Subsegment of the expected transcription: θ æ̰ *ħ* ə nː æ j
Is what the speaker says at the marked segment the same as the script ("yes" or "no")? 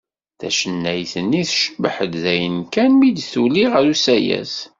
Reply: no